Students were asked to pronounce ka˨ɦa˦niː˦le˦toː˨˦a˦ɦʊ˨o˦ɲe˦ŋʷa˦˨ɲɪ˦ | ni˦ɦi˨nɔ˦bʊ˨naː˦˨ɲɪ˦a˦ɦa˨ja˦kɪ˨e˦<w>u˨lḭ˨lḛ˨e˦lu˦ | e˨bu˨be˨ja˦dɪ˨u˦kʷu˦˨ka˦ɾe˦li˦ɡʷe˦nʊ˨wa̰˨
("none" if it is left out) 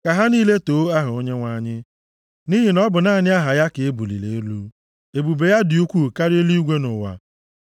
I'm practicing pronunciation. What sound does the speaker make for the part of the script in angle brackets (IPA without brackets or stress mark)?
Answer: b